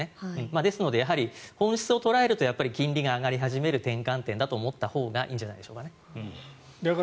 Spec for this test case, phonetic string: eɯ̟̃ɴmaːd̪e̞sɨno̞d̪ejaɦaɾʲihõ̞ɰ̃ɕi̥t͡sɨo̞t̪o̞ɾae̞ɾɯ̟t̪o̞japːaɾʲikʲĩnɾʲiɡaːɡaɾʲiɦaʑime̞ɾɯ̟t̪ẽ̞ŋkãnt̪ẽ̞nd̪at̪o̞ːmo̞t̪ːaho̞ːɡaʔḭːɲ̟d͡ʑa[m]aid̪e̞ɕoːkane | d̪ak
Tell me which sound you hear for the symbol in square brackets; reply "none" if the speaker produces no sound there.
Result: n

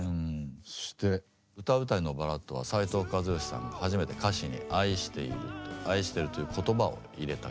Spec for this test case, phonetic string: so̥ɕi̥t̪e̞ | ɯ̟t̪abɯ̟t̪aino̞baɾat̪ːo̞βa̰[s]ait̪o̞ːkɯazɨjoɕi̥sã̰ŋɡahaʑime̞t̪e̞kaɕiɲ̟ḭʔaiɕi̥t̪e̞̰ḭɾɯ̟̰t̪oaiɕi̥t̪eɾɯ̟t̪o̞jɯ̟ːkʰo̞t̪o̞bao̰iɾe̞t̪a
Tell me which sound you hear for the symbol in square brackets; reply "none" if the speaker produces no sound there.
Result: s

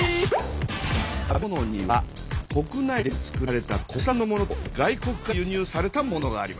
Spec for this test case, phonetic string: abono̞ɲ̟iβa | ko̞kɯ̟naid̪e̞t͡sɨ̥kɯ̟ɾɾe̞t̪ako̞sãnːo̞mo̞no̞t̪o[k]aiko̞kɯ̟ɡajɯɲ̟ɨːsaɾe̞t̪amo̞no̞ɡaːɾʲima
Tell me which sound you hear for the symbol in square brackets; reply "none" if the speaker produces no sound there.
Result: ɡ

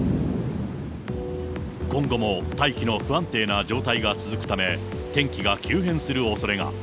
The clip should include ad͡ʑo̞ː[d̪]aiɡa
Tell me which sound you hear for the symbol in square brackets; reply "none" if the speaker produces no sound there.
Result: t̪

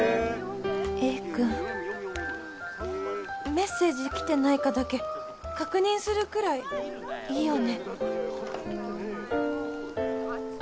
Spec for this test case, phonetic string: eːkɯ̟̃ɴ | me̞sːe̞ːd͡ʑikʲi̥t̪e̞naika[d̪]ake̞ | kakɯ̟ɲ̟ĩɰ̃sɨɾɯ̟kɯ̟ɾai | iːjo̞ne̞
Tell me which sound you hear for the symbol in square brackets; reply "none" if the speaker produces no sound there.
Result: d̪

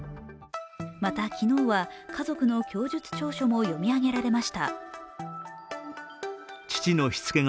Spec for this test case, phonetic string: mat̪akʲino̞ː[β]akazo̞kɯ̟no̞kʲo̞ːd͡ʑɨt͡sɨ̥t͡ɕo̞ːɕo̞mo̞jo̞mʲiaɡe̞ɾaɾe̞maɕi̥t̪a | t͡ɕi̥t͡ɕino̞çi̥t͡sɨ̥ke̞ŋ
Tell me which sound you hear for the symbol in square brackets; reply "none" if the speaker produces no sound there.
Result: β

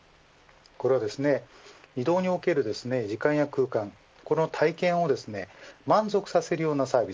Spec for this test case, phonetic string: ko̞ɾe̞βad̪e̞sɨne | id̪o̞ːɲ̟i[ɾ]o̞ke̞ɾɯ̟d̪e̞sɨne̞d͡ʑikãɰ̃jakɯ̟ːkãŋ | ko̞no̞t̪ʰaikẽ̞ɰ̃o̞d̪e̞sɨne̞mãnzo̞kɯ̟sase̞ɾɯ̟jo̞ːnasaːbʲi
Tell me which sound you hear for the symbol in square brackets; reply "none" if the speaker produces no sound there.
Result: none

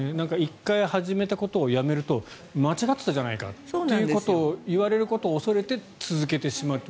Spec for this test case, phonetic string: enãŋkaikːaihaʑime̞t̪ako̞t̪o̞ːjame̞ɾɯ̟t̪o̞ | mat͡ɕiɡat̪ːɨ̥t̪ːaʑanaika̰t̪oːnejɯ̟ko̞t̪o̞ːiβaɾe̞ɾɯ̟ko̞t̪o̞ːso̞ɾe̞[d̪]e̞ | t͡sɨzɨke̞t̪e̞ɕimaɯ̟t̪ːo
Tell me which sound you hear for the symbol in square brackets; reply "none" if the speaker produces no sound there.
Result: t̪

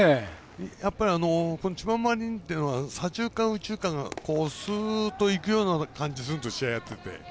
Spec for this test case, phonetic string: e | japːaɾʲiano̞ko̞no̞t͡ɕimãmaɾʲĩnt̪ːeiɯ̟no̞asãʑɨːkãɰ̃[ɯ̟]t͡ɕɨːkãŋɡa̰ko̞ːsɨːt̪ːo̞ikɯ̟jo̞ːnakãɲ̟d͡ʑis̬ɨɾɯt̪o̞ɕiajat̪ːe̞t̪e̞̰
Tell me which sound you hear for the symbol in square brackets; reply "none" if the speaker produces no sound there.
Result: ɯ̟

